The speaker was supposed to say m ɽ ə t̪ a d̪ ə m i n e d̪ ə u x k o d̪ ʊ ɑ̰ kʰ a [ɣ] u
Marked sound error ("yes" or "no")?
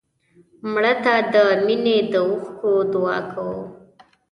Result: yes